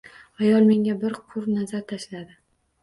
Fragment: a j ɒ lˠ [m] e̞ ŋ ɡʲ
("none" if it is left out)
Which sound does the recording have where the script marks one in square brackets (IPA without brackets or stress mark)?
m